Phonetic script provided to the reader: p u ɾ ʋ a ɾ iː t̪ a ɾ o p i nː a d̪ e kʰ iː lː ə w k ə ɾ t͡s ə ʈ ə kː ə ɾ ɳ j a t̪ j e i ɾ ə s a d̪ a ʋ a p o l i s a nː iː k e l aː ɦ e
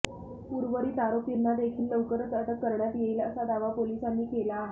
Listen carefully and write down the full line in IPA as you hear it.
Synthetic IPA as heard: p u ɾ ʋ ə ɾ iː t̪ a ɾ o p i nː a d̪ e kʰ iː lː ə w k ə ɾ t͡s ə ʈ ə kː ə ɾ ɳ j a t̪ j e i l ə s a d̪ a ʋ a p o l i s a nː iː k e l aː ɦ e